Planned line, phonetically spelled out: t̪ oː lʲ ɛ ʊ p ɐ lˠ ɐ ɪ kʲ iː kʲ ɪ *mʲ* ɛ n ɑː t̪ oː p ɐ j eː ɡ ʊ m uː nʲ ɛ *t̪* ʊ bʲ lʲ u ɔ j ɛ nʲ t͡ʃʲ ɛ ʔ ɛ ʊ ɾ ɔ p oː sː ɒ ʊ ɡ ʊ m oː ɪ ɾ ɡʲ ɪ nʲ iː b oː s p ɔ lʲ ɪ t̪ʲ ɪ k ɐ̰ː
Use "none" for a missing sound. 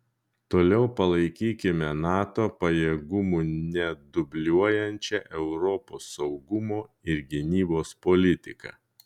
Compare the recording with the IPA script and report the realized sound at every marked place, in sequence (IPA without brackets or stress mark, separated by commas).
mʲ, d̪